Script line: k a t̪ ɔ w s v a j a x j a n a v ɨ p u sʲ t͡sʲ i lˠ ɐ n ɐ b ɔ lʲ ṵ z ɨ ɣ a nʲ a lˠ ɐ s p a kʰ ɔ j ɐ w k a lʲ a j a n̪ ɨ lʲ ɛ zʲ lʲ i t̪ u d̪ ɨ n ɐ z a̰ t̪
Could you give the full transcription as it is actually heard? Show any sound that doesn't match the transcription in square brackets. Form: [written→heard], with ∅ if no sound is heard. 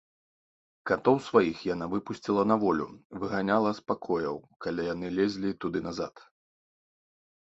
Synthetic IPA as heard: k a t̪ ɔ w s v a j [a→i] x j a n a v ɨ p u sʲ t͡sʲ i lˠ ɐ n ɐ [b→v] ɔ lʲ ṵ [z→v] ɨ ɣ a nʲ a lˠ ɐ s p a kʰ ɔ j ɐ w k a lʲ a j a n̪ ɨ lʲ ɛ zʲ lʲ i t̪ u d̪ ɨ n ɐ z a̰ t̪